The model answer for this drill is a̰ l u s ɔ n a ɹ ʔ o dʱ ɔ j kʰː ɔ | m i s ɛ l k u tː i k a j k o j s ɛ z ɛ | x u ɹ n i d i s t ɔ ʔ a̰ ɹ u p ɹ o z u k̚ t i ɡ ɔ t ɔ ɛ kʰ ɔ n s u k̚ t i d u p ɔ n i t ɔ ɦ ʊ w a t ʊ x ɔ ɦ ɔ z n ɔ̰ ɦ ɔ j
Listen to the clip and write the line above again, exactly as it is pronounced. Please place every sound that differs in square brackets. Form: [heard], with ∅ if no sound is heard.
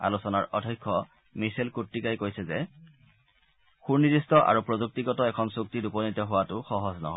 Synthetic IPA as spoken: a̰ l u s ɔ n a ɹ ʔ [ɔ] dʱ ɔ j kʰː ɔ | m i s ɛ l k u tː i k a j k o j s ɛ z ɛ | x u ɹ n i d i s t ɔ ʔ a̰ ɹ u p ɹ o z u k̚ t i ɡ ɔ t ɔ ɛ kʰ ɔ n s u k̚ t i d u p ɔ n i t ɔ ɦ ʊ w a t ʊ x ɔ ɦ ɔ z n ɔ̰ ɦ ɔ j